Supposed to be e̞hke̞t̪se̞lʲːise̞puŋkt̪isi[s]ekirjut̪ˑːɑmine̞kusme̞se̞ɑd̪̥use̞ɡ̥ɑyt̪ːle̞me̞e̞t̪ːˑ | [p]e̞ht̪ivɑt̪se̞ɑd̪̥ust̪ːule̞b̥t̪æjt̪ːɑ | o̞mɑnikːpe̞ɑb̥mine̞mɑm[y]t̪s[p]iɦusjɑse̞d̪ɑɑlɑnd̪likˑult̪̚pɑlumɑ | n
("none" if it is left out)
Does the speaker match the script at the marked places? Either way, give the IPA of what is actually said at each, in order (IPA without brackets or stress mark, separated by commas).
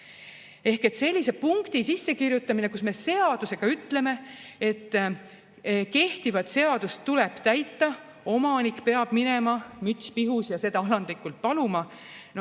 sː, k, y, p